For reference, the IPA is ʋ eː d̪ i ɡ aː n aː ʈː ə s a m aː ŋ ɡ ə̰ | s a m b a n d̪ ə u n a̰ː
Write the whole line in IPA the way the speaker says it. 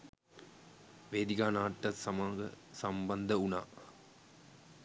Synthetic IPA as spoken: ʋ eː d̪ i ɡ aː n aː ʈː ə s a m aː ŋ ɡ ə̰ | s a m b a n d̪ ə u n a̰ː

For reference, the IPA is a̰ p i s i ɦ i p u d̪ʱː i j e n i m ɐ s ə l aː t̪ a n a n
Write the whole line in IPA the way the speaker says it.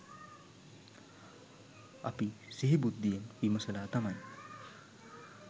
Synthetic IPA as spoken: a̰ p i s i ɦ i b u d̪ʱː i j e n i m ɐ s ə l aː t̪ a m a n

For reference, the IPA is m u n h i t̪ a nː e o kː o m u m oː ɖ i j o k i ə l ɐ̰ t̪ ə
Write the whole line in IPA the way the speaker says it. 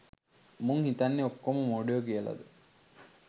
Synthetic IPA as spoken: m u ŋ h i t̪ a nː e o kː o m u m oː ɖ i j o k i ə l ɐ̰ d̪ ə

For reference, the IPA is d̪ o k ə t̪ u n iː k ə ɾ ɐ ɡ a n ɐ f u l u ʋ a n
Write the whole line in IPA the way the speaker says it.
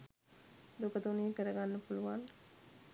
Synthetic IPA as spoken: d̪ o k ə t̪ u n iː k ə ɾ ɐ ɡ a nː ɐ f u l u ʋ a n

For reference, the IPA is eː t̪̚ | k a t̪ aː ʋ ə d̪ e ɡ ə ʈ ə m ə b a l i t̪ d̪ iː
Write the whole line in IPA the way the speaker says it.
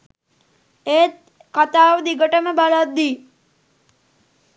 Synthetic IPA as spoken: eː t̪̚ | k a t̪ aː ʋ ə d̪ i ɡ ə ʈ ə m ə b a l a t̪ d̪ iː

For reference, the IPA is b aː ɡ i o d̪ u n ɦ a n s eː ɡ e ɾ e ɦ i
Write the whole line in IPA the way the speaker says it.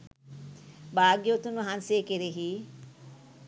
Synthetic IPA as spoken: b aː ɡ j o t̪ u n ɦ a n s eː k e ɾ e ɦ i

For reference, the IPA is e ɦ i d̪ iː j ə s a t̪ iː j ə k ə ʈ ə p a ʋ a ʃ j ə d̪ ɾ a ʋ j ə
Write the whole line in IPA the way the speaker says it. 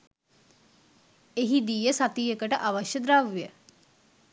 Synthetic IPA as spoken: e ɦ i d̪ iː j ə s a t̪ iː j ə k ə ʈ ə ʔ a ʋ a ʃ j ə d̪ ɾ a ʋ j ə

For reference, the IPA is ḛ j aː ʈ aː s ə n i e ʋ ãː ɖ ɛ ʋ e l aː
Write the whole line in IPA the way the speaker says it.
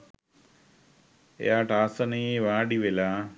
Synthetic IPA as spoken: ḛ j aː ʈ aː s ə n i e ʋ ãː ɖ i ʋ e l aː

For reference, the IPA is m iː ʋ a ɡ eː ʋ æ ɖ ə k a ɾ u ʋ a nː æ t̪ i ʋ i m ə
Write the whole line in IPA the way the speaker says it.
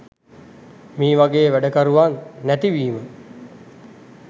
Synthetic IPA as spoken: m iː ʋ a ɡ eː ʋ æ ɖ ə k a ɾ u ʋ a nː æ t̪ i ʋ iː m ə

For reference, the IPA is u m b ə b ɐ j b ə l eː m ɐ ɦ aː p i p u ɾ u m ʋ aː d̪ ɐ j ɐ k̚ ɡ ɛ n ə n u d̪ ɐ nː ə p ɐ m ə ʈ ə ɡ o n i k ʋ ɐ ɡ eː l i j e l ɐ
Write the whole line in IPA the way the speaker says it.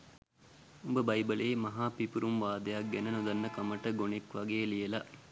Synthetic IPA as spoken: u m b ə b ɐ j b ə l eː m ɐ ɦ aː p i p u ɾ u m ʋ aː d̪ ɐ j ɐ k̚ ɡ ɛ n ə n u d̪ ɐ nː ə k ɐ m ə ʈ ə ɡ o n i k ʋ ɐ ɡ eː l i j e l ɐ

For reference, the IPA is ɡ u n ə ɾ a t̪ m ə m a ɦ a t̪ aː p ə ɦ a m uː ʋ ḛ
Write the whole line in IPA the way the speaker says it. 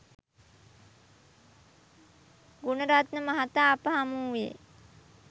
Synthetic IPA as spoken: ɡ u n ə ɾ a t̪ n ə m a ɦ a t̪ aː p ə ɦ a m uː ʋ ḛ

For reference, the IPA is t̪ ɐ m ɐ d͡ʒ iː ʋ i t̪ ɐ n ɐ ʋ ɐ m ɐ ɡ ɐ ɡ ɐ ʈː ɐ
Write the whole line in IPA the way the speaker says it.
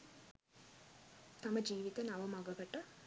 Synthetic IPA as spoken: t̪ ɐ m ɐ d͡ʒ iː ʋ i t̪ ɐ n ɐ ʋ ɐ m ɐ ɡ ɐ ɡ ɐ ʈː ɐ

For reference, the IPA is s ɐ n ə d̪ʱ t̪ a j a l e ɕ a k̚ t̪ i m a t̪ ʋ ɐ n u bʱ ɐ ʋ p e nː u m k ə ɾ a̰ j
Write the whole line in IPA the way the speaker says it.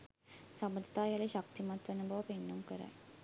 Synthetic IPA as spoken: s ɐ m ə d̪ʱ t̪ a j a l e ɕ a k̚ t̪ i m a t̪ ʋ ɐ n u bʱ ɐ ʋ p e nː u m k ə ɾ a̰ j

